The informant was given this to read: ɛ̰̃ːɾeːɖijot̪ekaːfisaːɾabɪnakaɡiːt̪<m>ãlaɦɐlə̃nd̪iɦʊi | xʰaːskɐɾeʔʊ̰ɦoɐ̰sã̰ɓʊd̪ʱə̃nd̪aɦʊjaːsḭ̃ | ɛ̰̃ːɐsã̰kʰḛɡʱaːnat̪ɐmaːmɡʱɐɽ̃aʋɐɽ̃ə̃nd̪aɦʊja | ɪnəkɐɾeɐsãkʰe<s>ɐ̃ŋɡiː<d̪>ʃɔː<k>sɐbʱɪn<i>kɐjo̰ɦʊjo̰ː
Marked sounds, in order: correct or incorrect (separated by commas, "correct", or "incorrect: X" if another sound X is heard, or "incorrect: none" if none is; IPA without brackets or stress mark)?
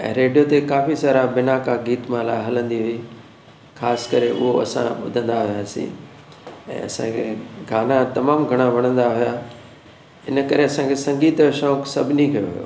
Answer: correct, correct, incorrect: t̪, correct, correct